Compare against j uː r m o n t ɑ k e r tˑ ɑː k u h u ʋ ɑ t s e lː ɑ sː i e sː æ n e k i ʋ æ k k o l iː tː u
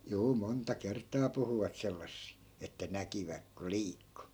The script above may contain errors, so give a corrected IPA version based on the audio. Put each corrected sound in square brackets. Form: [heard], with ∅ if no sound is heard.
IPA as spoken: j uː [∅] m o n t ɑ k e r tˑ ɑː [p] u h u ʋ ɑ t s e lː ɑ sː i e [tː] æ n [æ] k i ʋ æ k k o l iː [kː] u